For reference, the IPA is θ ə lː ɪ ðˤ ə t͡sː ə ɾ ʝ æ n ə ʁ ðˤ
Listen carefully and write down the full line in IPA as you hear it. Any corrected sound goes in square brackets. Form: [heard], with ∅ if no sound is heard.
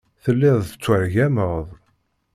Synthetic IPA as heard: θ ə lː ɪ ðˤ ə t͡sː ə ɾ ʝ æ [m] ə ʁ ðˤ